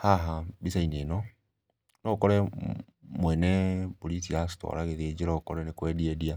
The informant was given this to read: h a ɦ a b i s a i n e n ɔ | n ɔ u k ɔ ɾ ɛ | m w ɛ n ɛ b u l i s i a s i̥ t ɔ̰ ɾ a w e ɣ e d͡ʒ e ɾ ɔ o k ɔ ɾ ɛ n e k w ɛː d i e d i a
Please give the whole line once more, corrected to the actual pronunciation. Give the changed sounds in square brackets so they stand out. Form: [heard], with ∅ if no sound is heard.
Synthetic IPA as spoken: h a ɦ a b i s a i n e n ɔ | n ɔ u k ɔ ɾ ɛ | m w ɛ n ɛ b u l i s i a s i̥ t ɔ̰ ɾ a [ɣ] e [ð] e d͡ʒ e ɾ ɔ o k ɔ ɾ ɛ n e k w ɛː d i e d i a